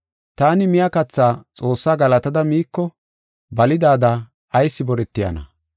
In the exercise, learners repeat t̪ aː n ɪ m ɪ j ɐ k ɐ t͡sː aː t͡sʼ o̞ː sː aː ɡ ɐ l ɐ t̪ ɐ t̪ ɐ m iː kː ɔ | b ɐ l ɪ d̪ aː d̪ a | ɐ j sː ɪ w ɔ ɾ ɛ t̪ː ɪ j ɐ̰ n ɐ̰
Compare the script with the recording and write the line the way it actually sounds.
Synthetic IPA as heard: t̪ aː n ɪ m ɪ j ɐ k ɐ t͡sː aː t͡sʼ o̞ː sː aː ɡ ɐ l ɐ t̪ ɐ d̪ ɐ m iː kː ɔ | b ɐ l ɪ d̪ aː d̪ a | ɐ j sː ɪ b ɔ ɾ ɛ t̪ː ɪ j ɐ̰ n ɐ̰